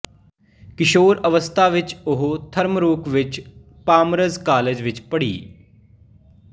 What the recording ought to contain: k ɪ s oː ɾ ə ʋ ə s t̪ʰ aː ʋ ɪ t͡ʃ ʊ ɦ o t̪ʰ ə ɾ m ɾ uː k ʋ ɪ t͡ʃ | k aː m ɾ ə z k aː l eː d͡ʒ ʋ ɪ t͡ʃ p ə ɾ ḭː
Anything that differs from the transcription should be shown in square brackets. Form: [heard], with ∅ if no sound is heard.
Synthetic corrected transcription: k ɪ [ʃ] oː ɾ ə ʋ ə s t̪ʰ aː ʋ ɪ t͡ʃ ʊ ɦ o t̪ʰ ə ɾ m ɾ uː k ʋ ɪ t͡ʃ | [p] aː m ɾ ə z k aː l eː d͡ʒ ʋ ɪ t͡ʃ p ə [ɽ] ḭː